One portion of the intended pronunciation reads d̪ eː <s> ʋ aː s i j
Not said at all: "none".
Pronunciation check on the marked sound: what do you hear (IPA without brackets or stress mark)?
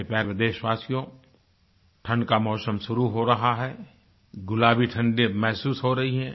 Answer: ʃ